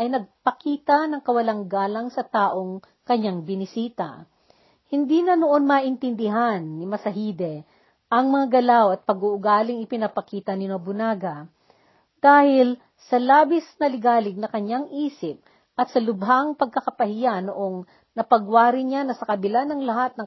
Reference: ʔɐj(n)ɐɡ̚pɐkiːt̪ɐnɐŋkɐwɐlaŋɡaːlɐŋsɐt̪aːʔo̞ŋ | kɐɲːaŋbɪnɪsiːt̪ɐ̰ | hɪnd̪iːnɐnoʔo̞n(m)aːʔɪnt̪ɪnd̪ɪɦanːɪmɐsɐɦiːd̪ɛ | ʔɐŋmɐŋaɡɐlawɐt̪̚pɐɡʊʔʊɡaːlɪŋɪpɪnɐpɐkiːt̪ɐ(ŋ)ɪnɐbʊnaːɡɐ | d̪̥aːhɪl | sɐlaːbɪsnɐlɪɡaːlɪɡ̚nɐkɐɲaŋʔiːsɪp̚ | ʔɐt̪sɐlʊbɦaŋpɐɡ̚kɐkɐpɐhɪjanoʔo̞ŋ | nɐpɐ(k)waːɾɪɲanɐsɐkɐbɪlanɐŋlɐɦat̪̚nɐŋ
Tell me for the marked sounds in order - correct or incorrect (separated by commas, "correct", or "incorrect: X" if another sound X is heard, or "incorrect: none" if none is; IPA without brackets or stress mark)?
correct, correct, incorrect: n, incorrect: ɡ